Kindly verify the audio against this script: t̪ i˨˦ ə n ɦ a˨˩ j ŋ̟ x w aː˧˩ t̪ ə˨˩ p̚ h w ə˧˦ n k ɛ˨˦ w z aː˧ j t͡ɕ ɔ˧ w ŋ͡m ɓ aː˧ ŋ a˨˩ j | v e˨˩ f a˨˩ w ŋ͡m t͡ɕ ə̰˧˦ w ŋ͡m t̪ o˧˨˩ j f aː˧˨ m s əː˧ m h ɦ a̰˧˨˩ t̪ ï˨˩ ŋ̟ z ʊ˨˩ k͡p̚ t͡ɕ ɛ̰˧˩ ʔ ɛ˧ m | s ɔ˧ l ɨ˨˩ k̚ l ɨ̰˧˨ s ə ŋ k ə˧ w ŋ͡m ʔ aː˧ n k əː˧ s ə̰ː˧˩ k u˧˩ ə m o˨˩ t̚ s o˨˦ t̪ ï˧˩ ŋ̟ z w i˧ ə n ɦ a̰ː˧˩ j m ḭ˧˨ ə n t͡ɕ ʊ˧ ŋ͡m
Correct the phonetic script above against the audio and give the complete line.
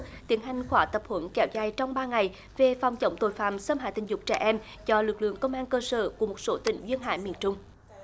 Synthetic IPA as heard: t̪ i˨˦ ə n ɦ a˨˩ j ŋ̟ x w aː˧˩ t̪ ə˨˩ p̚ h w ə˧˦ n k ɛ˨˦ w z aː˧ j t͡ɕ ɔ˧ w ŋ͡m ɓ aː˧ ŋ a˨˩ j | v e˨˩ f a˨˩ w ŋ͡m t͡ɕ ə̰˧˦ w ŋ͡m t̪ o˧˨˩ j f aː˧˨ m s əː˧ m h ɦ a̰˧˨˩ t̪ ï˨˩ ŋ̟ z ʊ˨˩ k͡p̚ t͡ɕ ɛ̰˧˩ ʔ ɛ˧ m | z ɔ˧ l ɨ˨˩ k̚ l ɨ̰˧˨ ə ŋ k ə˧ w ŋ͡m ʔ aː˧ n k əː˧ s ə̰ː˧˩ k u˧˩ ə m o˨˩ t̚ s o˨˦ t̪ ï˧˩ ŋ̟ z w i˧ ə n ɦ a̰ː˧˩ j m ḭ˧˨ ə n t͡ɕ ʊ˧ ŋ͡m